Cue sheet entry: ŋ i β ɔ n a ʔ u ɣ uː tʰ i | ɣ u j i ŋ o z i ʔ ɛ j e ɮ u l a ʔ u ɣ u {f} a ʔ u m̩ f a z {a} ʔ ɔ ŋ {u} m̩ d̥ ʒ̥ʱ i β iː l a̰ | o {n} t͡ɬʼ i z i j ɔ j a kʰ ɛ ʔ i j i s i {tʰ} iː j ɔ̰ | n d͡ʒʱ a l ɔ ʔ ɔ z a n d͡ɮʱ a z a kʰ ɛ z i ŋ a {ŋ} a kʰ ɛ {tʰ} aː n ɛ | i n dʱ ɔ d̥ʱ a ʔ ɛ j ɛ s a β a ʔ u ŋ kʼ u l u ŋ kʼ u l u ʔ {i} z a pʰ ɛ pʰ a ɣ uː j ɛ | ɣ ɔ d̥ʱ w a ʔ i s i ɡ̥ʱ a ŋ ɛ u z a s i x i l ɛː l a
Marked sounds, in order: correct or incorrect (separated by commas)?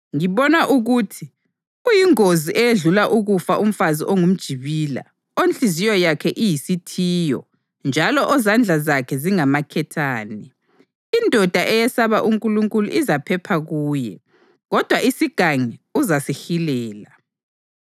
correct, incorrect, correct, correct, correct, incorrect, correct, correct